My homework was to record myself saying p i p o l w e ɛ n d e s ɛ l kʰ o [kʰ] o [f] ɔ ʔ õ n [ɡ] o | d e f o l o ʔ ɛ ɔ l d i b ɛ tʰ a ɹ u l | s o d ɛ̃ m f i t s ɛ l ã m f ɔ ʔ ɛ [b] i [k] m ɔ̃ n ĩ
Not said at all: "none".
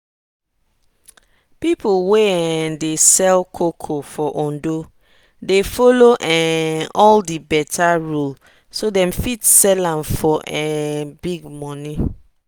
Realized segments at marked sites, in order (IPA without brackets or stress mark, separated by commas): kʰ, f, d, b, ɡ